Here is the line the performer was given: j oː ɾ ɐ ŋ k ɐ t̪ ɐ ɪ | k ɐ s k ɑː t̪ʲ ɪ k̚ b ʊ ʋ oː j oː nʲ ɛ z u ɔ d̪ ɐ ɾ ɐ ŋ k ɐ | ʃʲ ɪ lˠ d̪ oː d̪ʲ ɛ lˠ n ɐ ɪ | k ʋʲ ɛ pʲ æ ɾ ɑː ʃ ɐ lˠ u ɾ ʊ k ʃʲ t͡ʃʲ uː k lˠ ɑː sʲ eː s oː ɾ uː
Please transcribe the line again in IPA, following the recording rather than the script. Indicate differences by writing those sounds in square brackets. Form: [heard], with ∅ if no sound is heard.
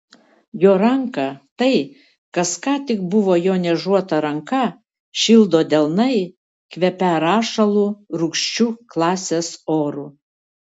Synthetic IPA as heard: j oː ɾ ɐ ŋ k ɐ t̪ ɐ ɪ | k ɐ s k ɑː t̪ʲ ɪ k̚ b ʊ ʋ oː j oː nʲ ɛ [ʒ] u ɔ [t̪] ɐ ɾ ɐ ŋ k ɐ | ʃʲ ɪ lˠ d̪ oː d̪ʲ ɛ lˠ n ɐ ɪ | k ʋʲ ɛ pʲ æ ɾ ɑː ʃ ɐ lˠ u ɾ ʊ k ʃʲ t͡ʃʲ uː k lˠ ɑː sʲ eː s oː ɾ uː